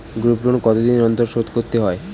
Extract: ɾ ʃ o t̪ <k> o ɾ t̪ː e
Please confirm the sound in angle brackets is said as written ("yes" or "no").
yes